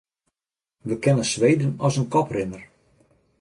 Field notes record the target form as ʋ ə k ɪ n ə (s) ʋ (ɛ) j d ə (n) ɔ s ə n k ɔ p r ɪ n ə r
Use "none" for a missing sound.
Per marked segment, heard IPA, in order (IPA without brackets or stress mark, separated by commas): s, e, n